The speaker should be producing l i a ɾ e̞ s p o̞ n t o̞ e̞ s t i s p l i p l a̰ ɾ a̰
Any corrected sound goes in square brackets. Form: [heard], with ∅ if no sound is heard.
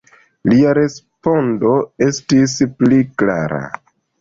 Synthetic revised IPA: l i a ɾ e̞ s p o̞ n [d] o̞ e̞ s t i s p l i [k] l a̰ ɾ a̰